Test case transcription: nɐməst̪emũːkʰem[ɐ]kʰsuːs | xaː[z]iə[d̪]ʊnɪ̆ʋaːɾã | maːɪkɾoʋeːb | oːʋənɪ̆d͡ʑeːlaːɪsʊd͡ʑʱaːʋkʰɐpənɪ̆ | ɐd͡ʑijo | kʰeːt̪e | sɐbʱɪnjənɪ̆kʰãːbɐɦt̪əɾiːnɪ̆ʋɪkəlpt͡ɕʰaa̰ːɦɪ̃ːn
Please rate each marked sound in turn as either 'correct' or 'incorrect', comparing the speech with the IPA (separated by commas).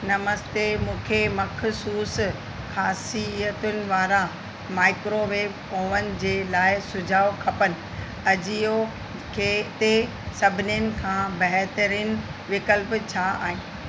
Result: correct, incorrect, incorrect